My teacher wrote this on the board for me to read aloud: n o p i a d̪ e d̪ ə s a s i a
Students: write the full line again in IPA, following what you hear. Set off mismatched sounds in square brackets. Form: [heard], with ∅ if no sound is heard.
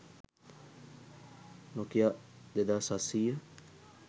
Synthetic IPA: n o [k] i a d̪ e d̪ [a] s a s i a